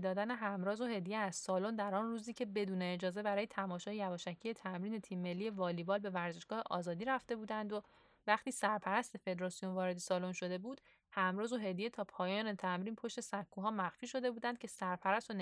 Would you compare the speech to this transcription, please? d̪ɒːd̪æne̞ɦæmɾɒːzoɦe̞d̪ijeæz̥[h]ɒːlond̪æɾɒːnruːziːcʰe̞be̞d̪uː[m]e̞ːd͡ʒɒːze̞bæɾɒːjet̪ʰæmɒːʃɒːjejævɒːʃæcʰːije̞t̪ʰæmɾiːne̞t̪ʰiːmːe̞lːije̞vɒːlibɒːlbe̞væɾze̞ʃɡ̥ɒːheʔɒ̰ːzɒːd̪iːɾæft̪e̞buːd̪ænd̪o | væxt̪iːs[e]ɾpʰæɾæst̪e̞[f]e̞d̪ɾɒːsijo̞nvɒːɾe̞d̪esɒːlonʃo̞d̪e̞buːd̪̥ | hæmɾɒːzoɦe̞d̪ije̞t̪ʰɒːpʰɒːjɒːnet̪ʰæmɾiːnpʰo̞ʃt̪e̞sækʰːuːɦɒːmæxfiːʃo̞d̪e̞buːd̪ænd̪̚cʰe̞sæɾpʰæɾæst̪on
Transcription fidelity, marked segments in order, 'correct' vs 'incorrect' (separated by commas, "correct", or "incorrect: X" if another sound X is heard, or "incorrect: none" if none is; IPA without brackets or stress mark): incorrect: s, incorrect: n, incorrect: æ, correct